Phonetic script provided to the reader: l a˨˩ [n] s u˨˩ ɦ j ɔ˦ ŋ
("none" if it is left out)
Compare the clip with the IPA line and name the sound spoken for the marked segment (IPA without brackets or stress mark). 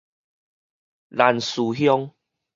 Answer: n